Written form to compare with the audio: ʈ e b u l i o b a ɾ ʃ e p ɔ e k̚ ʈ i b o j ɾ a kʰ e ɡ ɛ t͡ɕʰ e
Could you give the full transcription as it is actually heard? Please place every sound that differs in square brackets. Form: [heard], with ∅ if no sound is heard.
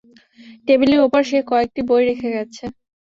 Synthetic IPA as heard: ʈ e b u l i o [p] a ɾ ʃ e [k] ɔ e k̚ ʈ i b o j ɾ [e] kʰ e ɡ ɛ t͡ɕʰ e